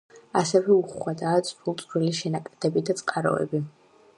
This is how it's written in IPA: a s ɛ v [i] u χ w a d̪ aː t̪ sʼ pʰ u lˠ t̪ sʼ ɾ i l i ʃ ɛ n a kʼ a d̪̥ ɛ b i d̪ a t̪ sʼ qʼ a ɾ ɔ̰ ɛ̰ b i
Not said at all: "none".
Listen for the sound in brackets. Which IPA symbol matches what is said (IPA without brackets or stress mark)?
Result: ɛ